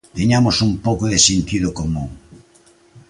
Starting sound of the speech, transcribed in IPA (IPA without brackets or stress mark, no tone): t̪